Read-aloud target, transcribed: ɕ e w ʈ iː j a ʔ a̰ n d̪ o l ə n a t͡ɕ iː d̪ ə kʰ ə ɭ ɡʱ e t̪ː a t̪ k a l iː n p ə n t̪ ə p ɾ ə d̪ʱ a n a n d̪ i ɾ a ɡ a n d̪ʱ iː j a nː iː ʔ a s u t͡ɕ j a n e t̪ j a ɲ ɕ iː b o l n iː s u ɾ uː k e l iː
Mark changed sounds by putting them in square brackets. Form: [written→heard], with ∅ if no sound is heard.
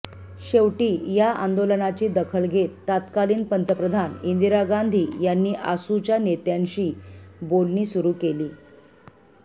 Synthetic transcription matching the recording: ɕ e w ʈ iː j a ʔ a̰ n d̪ o l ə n a t͡ɕ iː d̪ ə kʰ ə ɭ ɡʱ e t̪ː a t̪ k a l iː n p ə n t̪ ə p ɾ ə d̪ʱ a n [a→i] n d̪ i ɾ a ɡ a n d̪ʱ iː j a nː iː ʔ a s u t͡ɕ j a n e t̪ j a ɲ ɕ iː b o l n iː s u ɾ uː k e l iː